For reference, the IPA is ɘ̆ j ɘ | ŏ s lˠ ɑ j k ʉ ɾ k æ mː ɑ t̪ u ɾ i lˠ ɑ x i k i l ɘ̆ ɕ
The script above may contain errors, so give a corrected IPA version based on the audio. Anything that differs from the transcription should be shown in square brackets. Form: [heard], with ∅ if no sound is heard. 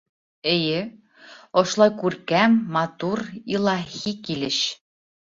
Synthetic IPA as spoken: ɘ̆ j ɘ | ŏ [ʃ] lˠ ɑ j k ʉ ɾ k æ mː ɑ t̪ u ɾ i lˠ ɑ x i k i l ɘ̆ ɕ